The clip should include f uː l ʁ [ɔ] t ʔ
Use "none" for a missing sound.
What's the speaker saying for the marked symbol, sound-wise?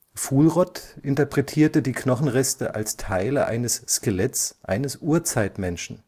ɔ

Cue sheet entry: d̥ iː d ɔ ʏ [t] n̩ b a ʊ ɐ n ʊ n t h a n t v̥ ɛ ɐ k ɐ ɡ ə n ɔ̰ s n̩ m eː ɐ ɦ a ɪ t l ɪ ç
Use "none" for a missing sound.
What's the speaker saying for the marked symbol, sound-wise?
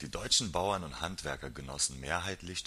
t͡ʃ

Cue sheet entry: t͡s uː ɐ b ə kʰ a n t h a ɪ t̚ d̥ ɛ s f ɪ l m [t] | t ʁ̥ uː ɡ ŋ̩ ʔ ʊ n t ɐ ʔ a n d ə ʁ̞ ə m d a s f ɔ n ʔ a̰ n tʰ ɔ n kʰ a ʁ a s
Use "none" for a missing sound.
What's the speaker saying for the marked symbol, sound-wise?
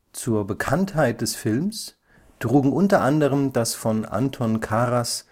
s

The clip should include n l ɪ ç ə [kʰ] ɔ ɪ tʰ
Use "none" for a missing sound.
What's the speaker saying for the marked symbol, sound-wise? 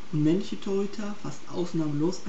tʰ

